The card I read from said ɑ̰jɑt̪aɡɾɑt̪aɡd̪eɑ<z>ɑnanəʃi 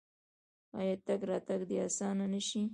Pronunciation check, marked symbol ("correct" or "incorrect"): incorrect